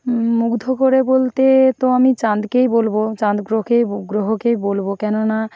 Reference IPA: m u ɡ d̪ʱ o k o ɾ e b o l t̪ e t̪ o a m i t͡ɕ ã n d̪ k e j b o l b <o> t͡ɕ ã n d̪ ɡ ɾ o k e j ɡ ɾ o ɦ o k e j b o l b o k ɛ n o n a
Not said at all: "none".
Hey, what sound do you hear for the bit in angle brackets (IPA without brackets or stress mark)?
o